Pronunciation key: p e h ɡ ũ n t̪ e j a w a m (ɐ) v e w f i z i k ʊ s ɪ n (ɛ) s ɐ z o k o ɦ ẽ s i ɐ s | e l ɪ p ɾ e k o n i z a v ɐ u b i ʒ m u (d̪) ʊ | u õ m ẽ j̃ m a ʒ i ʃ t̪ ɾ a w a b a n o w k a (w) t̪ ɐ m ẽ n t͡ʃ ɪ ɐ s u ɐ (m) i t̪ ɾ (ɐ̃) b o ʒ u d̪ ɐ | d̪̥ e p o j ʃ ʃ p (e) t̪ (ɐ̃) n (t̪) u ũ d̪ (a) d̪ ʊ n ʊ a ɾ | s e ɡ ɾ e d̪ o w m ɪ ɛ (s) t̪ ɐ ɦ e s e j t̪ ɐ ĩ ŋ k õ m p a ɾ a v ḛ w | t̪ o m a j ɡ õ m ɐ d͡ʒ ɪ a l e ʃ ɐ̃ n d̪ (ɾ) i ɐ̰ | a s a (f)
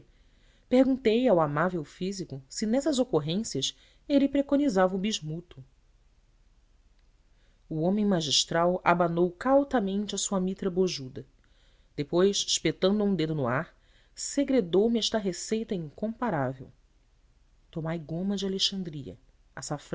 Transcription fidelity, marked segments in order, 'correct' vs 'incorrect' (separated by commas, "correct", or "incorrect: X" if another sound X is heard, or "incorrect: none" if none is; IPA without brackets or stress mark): incorrect: a, correct, incorrect: t̪, correct, correct, incorrect: ɐ, correct, correct, incorrect: d̪, incorrect: e, incorrect: ʃ, correct, correct